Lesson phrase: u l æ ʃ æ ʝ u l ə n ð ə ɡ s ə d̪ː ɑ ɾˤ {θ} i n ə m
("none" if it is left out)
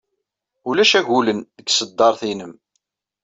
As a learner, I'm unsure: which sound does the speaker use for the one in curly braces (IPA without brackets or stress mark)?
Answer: θ